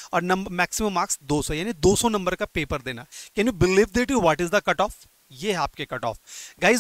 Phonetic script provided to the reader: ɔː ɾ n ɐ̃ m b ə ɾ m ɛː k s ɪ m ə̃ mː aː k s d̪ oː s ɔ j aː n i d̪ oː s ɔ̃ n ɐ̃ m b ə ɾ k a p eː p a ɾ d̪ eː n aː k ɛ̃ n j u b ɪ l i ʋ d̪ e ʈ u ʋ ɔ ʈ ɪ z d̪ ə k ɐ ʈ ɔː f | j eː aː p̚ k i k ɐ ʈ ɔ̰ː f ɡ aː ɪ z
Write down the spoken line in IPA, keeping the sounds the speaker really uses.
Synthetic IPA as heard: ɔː ɾ n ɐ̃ m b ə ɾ m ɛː k s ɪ m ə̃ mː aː k s d̪ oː s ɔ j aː n i d̪ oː s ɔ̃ n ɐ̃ m b ə ɾ k a p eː p ə ɾ d̪ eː n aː k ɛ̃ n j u b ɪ l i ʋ d̪ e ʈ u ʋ ɔ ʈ ɪ z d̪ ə k ɐ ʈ ɔː f | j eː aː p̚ k e k ɐ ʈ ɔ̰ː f ɡ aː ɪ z